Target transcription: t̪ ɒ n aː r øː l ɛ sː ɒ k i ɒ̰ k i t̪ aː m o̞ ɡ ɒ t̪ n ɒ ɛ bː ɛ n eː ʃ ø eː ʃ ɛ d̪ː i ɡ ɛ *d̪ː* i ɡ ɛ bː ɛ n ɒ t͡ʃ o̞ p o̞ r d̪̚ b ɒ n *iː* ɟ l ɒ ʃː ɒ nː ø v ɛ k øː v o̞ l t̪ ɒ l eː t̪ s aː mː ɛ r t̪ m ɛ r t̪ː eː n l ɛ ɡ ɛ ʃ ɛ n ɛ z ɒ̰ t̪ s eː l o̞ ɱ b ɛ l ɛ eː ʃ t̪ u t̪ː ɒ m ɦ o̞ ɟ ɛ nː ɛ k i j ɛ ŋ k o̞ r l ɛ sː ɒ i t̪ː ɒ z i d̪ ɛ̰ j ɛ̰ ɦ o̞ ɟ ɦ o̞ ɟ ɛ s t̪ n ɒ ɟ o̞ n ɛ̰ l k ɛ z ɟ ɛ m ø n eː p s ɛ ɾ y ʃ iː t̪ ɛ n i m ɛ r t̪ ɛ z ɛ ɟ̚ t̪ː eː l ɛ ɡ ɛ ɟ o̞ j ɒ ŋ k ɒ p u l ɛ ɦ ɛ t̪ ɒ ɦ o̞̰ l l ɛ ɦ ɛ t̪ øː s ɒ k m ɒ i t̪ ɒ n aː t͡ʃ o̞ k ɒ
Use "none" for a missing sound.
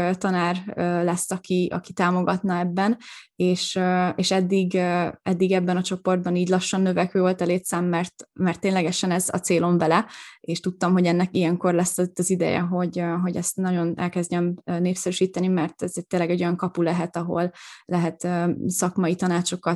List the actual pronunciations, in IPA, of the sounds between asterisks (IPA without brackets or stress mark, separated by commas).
d̪ː, iː